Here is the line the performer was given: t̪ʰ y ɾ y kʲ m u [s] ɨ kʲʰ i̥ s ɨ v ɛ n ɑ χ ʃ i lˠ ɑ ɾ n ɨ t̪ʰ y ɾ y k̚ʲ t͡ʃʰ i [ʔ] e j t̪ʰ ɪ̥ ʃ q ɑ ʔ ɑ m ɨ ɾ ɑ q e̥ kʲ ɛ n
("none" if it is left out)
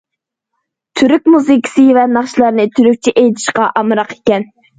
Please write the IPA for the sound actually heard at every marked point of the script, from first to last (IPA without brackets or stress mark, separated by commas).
z, ʔ